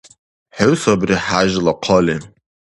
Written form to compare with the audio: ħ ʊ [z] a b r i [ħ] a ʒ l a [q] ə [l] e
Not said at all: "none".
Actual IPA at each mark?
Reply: s, ħ, qʰ, l

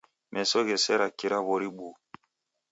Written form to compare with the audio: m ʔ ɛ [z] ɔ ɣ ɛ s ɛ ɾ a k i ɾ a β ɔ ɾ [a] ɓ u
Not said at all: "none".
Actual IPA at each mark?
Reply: s, i

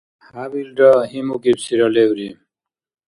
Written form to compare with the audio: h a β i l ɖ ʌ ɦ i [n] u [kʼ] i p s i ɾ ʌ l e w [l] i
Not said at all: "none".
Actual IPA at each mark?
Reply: m, k, ɾ

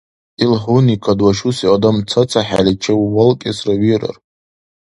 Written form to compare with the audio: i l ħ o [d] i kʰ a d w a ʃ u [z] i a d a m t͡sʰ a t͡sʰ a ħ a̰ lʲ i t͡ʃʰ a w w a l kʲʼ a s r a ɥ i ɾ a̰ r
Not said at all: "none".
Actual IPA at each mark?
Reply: n, s

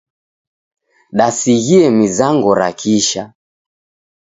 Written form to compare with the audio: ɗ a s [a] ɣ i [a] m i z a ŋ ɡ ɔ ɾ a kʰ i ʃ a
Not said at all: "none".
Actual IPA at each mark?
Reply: i, ɛ

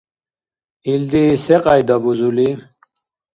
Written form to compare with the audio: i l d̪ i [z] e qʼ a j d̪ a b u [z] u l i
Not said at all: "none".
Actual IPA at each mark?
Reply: s, z

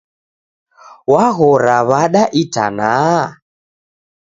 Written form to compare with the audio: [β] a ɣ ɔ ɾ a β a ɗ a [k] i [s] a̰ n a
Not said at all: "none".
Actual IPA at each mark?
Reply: w, ʔ, t

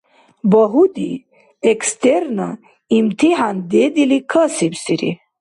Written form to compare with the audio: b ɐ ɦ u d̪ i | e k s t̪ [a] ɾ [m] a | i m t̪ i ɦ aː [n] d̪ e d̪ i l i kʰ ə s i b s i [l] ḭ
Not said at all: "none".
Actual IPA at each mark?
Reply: e, n, n, ɾ

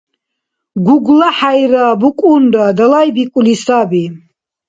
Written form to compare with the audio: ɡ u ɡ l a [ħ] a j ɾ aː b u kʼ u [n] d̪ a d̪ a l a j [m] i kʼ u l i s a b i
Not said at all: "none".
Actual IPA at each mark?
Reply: ħ, n, b

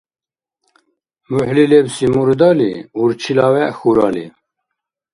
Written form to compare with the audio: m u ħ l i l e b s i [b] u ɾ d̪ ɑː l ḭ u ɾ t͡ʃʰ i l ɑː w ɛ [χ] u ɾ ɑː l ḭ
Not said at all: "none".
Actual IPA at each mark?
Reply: m, x

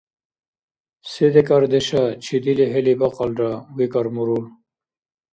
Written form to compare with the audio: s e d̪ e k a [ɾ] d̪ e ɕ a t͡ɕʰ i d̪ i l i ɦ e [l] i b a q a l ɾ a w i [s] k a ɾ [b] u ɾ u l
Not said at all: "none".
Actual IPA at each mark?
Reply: ɾ, l, none, m

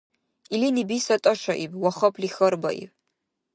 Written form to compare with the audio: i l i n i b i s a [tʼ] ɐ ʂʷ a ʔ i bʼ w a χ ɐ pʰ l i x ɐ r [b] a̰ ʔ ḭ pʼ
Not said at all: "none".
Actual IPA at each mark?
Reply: tʼ, b

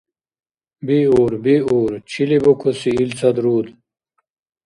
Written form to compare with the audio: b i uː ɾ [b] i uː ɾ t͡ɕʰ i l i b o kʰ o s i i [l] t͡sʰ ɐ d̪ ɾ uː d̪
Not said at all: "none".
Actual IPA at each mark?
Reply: b, l

